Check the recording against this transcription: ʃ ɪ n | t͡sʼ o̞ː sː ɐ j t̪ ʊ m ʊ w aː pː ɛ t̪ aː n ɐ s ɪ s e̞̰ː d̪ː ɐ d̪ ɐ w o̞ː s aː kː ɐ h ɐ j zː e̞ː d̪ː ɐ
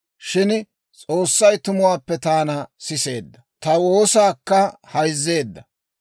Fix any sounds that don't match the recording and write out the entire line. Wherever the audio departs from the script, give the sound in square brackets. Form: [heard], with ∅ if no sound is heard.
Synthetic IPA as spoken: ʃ ɪ n | t͡sʼ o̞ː sː ɐ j t̪ ʊ m ʊ w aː pː ɛ t̪ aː n ɐ s ɪ s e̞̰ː d̪ː ɐ [t̪] ɐ w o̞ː s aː kː ɐ h ɐ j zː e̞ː d̪ː ɐ